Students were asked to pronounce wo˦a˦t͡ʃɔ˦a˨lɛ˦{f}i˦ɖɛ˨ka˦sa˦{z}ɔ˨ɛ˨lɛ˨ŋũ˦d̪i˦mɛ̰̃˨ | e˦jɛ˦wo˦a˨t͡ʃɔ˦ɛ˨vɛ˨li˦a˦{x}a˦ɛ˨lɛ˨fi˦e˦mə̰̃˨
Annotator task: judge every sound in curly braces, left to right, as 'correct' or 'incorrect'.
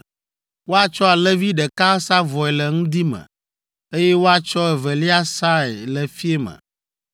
incorrect: v, incorrect: v, incorrect: s

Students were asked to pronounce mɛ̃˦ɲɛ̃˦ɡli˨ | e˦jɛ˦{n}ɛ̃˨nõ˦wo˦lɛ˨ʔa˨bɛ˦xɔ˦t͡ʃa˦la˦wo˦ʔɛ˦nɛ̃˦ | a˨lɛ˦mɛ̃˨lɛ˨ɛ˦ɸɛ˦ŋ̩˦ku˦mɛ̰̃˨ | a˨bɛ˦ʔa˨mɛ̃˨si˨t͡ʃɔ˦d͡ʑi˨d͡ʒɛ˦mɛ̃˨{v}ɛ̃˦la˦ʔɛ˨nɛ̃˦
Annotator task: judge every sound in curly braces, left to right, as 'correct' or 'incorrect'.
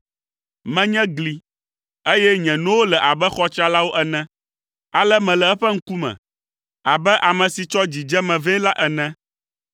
incorrect: ɲ, correct

